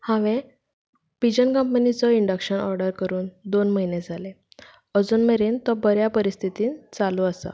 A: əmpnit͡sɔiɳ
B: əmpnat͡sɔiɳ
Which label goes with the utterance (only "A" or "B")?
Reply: A